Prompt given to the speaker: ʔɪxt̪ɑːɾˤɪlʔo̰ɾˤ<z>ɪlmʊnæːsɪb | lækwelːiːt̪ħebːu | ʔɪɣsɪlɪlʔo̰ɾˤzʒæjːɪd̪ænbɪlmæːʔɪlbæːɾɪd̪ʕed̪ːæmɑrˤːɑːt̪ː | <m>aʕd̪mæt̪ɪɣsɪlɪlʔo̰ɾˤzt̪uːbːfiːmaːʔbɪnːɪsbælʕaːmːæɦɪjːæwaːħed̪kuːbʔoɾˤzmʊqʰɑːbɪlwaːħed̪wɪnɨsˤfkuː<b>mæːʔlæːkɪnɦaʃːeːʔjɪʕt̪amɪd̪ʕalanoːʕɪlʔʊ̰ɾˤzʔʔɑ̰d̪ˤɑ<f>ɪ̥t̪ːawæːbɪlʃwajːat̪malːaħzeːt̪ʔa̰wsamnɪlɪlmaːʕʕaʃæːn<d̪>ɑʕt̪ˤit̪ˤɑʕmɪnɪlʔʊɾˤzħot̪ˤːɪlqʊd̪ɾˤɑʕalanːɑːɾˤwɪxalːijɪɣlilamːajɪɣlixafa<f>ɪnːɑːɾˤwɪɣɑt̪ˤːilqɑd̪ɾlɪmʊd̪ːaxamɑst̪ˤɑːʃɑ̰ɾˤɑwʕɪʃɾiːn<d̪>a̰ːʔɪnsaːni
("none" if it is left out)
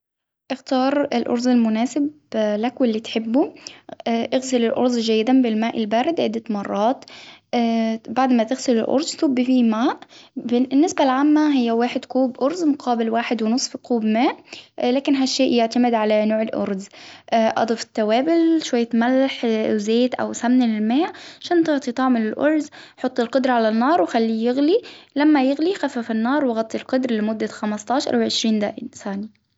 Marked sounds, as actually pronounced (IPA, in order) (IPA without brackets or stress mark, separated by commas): z, b, b, f, t̪, f, d̪